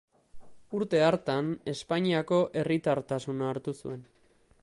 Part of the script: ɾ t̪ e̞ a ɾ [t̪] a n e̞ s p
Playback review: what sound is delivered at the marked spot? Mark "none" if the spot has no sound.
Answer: t̪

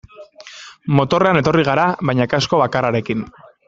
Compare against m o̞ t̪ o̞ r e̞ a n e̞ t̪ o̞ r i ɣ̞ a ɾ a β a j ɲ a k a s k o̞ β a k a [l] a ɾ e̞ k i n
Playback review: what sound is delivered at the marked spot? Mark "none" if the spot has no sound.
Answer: r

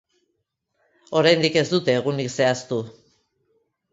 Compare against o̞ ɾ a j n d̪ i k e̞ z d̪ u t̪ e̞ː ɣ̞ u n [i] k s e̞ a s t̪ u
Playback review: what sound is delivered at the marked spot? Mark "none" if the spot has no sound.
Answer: i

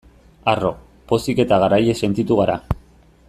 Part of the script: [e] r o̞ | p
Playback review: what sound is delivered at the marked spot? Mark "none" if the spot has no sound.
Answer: a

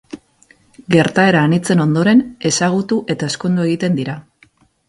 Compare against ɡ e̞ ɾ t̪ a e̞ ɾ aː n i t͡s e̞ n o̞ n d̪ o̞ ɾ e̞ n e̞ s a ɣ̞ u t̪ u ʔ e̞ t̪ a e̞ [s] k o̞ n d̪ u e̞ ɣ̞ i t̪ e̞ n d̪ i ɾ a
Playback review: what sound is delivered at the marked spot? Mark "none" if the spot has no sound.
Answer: s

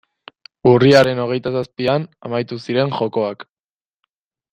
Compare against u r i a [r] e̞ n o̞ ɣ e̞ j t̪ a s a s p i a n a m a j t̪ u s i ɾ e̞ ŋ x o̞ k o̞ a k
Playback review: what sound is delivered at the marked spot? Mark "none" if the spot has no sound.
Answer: ɾ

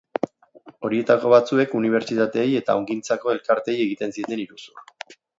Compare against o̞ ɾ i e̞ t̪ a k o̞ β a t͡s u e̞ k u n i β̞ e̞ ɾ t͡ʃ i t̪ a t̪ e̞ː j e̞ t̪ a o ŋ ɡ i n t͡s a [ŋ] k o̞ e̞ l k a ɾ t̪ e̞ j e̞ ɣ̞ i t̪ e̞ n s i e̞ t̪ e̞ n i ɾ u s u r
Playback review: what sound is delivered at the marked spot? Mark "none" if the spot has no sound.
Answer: none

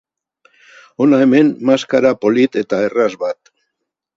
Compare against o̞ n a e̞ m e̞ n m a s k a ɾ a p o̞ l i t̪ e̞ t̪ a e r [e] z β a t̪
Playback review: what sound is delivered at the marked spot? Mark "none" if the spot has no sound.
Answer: a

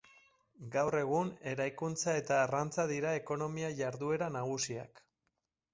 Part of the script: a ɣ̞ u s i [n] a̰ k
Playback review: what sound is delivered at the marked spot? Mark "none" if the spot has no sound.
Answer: none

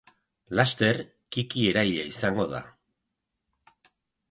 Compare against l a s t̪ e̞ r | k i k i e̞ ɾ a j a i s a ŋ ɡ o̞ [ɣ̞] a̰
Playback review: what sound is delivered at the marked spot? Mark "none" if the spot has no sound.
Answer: ð̞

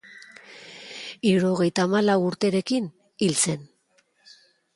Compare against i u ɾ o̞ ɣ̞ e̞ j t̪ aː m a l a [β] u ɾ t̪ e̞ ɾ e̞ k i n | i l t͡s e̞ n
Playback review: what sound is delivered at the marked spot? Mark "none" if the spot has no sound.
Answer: w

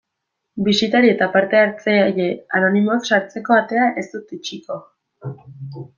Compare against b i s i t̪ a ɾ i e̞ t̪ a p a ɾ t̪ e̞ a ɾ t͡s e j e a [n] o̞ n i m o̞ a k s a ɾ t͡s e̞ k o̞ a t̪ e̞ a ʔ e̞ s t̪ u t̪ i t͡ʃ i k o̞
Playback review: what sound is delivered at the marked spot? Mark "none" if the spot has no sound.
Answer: n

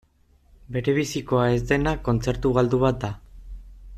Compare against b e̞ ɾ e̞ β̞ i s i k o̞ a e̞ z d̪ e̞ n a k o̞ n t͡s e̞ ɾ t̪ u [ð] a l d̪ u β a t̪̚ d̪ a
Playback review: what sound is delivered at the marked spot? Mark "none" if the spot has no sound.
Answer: ɣ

